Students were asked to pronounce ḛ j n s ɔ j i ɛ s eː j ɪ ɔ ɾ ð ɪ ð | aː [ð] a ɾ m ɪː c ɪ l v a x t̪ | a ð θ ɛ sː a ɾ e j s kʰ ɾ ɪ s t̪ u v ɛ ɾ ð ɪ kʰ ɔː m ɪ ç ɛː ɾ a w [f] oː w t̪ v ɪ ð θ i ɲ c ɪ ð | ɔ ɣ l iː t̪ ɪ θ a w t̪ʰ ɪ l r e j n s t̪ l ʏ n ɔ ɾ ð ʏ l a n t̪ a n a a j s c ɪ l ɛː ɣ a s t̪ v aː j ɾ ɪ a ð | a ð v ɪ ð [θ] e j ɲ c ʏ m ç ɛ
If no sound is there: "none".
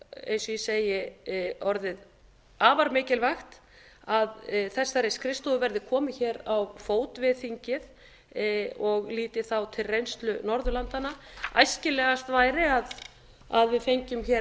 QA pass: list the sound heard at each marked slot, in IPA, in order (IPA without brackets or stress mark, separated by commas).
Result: v, f, f